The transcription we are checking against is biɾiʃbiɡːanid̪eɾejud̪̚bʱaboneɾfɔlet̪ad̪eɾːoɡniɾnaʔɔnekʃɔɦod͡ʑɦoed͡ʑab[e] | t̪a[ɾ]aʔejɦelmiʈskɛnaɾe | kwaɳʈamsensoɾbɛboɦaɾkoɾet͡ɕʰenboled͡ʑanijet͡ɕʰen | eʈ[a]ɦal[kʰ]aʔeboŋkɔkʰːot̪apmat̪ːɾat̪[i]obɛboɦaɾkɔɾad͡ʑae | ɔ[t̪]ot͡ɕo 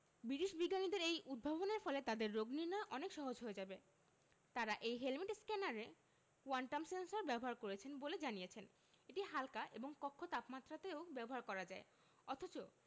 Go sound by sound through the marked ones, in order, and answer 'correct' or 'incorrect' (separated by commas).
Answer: correct, correct, incorrect, incorrect, incorrect, incorrect